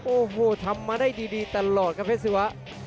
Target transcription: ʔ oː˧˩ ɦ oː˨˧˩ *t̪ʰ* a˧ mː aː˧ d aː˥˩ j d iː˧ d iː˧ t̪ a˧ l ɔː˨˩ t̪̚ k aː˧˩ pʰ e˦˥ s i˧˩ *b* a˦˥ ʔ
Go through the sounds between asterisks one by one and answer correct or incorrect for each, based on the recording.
correct, incorrect: w

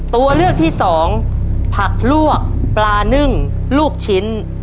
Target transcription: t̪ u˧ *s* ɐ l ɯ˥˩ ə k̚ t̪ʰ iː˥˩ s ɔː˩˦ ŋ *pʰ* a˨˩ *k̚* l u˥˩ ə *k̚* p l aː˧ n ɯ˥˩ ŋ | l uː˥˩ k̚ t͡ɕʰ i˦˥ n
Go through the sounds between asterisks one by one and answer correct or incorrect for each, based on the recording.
incorrect: none, correct, correct, correct

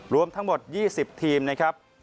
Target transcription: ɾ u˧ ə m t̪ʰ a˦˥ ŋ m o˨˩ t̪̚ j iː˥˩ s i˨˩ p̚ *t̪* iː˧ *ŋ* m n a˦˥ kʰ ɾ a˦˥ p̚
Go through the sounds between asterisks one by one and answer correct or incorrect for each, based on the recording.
incorrect: t̪ʰ, incorrect: none

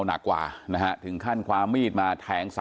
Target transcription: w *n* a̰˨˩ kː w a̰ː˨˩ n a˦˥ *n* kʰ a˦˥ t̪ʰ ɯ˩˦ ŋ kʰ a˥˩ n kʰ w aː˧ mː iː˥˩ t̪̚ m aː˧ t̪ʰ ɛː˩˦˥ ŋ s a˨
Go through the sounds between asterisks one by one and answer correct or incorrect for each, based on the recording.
correct, incorrect: none

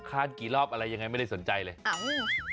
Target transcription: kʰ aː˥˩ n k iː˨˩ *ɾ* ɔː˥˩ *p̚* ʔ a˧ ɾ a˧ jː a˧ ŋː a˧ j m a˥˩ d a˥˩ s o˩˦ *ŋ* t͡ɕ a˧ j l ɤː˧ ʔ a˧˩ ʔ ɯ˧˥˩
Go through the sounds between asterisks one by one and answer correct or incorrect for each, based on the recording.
incorrect: l, correct, incorrect: n

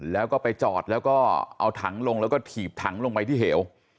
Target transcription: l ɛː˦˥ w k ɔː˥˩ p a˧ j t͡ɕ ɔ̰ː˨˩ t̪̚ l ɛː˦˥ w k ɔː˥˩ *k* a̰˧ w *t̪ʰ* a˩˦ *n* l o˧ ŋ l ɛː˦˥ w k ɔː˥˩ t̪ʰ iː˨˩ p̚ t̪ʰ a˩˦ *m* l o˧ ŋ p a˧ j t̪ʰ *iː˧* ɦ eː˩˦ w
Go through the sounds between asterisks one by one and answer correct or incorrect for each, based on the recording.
incorrect: ʔ, correct, incorrect: ŋ, incorrect: ŋ, incorrect: iː˥˩

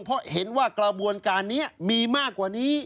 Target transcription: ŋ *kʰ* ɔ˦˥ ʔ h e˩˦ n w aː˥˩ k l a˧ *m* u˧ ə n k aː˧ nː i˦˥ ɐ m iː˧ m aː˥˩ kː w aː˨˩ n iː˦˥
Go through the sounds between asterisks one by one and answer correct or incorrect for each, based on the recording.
incorrect: pʰ, incorrect: b

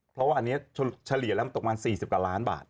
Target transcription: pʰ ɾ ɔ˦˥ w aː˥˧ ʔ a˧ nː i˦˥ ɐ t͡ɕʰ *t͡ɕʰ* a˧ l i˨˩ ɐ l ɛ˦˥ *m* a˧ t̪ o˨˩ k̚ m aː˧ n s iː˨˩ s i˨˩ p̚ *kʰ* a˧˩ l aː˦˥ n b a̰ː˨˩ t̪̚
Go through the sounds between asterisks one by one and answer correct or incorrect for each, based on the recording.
correct, correct, incorrect: k

